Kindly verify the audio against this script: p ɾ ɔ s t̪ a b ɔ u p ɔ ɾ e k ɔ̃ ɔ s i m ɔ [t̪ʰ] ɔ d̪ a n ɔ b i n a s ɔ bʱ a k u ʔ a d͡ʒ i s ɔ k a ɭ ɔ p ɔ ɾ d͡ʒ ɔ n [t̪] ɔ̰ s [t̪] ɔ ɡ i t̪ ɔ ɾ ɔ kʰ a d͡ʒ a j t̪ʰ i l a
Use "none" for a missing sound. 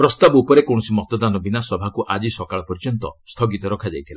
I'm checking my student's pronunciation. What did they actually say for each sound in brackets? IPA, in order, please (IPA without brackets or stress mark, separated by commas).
t̪, t̪, t̪ʰ